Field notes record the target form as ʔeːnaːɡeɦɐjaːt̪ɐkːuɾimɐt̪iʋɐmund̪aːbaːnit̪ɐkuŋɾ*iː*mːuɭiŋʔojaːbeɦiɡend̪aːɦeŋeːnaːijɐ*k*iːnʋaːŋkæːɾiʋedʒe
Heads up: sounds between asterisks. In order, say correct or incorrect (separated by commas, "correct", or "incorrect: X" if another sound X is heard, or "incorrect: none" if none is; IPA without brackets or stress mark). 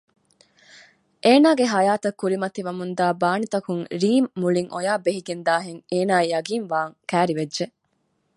correct, incorrect: ɡ